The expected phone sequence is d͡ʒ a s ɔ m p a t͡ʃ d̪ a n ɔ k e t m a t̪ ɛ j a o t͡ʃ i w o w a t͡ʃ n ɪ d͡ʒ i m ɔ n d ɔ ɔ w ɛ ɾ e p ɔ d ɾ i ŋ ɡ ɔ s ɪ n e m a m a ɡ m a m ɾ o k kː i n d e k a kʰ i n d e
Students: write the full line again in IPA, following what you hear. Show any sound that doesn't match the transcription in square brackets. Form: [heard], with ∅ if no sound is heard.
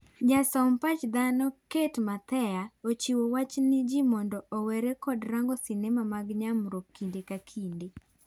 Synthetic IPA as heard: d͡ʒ a s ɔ m p a t͡ʃ d̪ a n ɔ k e t m a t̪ ɛ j a o t͡ʃ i w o w a t͡ʃ n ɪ d͡ʒ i m ɔ n d ɔ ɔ w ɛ ɾ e [k] ɔ d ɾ [a] ŋ ɡ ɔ s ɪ n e m a m a ɡ [ɲ] a m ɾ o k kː i n d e k a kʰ i n d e